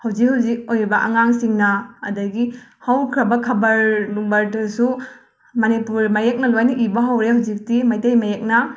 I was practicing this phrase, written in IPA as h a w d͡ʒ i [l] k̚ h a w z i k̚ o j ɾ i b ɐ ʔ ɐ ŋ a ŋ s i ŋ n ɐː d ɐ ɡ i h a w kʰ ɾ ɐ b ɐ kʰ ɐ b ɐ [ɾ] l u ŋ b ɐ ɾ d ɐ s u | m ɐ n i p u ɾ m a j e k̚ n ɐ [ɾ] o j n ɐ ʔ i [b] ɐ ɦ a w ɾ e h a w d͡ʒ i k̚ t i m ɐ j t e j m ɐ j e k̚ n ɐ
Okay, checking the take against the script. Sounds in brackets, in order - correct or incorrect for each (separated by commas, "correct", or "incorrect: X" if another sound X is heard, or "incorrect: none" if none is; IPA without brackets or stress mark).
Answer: incorrect: none, correct, incorrect: l, correct